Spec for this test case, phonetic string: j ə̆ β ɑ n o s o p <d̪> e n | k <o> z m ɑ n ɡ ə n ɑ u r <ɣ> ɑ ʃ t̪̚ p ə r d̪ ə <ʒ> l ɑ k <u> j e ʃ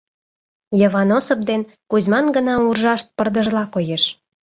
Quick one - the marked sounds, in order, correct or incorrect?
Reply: correct, incorrect: u, incorrect: ʒ, correct, incorrect: o

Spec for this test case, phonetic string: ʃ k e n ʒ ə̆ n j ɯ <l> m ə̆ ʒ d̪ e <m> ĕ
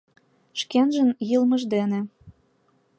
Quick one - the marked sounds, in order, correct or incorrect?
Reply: correct, incorrect: n

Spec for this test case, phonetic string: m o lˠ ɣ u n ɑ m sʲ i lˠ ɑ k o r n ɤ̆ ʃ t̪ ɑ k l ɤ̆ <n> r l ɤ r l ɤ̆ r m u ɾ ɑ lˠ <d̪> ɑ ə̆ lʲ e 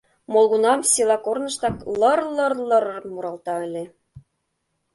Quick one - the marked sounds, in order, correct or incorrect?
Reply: incorrect: none, incorrect: t̪

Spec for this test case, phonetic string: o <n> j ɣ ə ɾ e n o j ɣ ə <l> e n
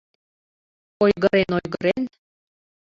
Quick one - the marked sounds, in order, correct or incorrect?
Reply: incorrect: none, incorrect: ɾ

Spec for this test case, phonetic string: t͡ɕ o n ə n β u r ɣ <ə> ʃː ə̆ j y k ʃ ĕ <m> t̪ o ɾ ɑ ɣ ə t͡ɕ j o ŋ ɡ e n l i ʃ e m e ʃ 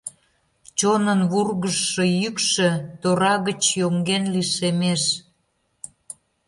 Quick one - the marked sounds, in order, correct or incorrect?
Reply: correct, incorrect: none

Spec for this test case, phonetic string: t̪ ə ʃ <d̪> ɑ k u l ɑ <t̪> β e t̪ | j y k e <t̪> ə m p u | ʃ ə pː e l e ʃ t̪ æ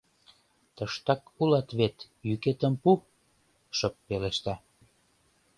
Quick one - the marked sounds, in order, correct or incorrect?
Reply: incorrect: t̪, correct, correct

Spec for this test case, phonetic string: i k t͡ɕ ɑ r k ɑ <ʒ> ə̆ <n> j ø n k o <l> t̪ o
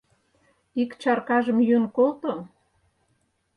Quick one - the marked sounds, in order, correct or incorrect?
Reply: correct, incorrect: m, correct

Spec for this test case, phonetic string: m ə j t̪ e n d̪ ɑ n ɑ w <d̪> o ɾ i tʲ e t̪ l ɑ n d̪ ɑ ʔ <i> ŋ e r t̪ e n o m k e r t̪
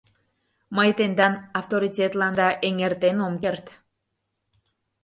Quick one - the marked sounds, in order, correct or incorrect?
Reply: incorrect: t̪, incorrect: e

